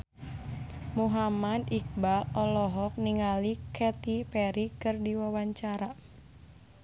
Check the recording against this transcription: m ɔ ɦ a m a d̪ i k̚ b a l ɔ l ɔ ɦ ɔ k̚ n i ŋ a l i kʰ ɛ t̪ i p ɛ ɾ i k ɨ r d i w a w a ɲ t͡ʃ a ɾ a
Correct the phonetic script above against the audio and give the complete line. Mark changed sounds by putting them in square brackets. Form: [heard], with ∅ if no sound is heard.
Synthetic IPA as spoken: m [u] ɦ a m a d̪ i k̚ b a l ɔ l ɔ ɦ ɔ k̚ n i ŋ a l i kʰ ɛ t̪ i p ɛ ɾ i k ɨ r d i w a w a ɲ t͡ʃ a ɾ a